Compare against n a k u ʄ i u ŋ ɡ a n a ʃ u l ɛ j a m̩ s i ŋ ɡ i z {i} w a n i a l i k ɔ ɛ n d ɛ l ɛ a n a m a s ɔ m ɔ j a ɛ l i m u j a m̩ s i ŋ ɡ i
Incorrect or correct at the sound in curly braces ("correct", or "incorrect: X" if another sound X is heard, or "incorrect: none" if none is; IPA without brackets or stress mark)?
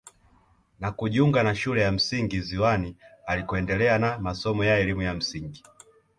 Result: correct